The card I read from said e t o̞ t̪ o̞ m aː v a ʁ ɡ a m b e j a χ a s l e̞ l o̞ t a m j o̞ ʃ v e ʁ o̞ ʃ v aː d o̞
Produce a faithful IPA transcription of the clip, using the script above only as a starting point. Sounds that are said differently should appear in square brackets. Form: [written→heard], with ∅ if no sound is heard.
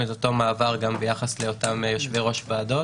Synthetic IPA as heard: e t o̞ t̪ o̞ m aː v a ʁ ɡ a m b e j a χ a s l e̞ [l→∅] o̞ t a m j o̞ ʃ v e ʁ o̞ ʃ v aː d o̞